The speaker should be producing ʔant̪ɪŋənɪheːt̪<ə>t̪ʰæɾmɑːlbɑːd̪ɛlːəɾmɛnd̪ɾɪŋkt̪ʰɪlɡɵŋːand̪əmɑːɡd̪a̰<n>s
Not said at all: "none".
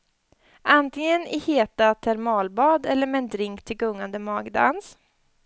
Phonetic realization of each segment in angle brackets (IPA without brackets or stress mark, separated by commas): a, n